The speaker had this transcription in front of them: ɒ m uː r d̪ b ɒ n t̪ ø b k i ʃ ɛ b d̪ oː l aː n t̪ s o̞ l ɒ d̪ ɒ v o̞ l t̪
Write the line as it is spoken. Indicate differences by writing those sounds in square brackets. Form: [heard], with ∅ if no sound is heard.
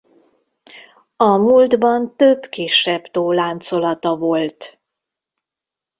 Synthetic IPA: ɒ m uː [l] d̪ b ɒ n t̪ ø b k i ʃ ɛ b [t̪] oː l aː n t̪ s o̞ l ɒ [t̪] ɒ v o̞ l t̪